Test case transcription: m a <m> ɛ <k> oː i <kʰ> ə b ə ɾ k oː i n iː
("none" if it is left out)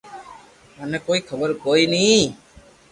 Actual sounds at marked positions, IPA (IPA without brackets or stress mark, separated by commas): n, k, kʰ